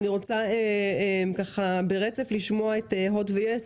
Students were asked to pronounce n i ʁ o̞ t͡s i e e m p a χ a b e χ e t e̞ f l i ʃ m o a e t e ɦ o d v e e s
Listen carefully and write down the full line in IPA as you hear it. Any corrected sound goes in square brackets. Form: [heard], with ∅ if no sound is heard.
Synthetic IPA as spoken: n i ʁ o̞ t͡s [a] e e m [k] a χ a b e [ʁ] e [t͡s] e̞ f l i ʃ m o a e t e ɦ o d v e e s